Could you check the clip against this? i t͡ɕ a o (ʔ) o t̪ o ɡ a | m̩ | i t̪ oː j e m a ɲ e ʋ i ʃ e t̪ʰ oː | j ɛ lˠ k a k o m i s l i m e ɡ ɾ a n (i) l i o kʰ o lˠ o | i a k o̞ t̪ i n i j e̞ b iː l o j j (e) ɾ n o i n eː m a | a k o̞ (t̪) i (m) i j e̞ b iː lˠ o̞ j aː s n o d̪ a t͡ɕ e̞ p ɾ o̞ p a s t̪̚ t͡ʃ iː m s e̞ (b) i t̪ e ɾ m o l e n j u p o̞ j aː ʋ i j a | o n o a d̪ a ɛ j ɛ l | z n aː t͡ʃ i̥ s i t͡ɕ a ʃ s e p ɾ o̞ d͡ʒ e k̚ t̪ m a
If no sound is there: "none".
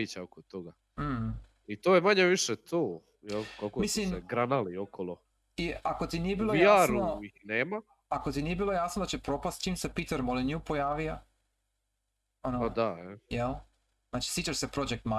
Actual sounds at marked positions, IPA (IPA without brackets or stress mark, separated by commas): k, a, a, t̪, n, p